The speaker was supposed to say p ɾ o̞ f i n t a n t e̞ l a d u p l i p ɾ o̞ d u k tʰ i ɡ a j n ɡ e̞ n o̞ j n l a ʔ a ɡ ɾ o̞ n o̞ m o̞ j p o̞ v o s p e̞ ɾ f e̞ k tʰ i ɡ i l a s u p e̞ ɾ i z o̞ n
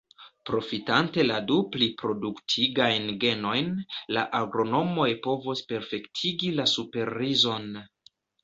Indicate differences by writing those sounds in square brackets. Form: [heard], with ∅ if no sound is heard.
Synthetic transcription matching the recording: p ɾ o̞ f i [∅] t a n t e̞ l a d u p l i p ɾ o̞ d u k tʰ i ɡ a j n ɡ e̞ n o̞ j n l a ʔ a ɡ ɾ o̞ n o̞ m o̞ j p o̞ v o s p e̞ ɾ f e̞ k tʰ i ɡ i l a s u p e̞ ɾ i z o̞ n